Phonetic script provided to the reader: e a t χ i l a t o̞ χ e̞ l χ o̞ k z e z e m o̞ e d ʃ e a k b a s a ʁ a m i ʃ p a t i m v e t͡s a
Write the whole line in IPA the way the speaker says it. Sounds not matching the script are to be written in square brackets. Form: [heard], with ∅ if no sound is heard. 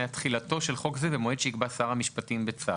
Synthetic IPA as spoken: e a t χ i l a t o̞ [ʃ] e̞ l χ o̞ k z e [v] e m o̞ e d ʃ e [i] k b a s a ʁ a m i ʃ p a t i m [b] e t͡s a